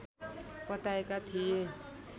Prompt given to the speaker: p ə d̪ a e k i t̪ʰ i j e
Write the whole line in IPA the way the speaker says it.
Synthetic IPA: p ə t̪ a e k a t̪ʰ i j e